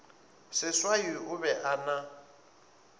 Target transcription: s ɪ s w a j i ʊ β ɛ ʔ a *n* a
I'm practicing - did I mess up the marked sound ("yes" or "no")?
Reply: no